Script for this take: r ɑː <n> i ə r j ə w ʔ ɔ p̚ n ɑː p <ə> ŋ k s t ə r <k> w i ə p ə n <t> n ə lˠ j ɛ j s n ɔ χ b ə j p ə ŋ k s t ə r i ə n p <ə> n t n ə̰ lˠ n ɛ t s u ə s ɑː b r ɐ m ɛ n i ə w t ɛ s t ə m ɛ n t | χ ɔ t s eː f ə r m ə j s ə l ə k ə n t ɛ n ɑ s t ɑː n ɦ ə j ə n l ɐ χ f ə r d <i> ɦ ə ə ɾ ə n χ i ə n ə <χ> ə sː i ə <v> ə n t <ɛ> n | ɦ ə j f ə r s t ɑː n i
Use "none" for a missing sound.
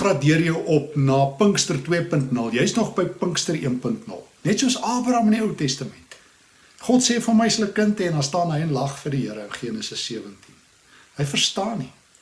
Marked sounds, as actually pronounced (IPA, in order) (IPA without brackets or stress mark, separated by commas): d, ə, t, t, ə, i, s, v, i